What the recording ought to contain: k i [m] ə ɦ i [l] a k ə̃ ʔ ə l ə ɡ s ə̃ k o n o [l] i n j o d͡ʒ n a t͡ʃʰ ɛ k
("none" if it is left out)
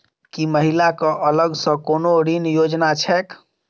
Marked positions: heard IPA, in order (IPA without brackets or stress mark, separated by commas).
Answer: m, l, ɾ